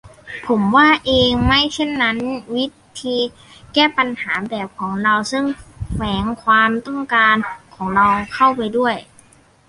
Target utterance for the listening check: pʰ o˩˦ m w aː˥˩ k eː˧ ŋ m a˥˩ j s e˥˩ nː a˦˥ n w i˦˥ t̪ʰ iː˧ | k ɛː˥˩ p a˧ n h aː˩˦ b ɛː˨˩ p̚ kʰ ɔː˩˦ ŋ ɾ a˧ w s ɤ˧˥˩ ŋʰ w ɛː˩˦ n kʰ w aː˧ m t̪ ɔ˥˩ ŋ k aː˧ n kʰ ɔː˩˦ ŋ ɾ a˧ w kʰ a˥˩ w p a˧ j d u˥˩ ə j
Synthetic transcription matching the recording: pʰ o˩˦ m w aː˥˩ ʔ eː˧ ŋ m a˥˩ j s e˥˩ nː a˦˥ n w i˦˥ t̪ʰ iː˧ | k ɛː˥˩ p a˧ n h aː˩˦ b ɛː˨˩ p̚ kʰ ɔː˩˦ ŋ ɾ a˧ w s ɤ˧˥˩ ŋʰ w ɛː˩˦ ŋ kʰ w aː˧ m t̪ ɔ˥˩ ŋ k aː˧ n kʰ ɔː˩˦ ŋ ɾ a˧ w kʰ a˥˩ w p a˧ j d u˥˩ ə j